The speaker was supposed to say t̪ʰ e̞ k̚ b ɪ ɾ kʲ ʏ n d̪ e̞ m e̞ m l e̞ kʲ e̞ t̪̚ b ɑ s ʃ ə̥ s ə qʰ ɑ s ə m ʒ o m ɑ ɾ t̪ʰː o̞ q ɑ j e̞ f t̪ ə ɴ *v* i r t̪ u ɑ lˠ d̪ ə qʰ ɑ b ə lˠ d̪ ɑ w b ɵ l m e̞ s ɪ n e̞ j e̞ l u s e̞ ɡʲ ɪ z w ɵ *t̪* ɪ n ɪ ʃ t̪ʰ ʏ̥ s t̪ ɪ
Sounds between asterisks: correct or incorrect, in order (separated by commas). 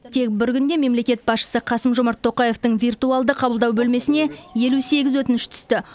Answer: correct, correct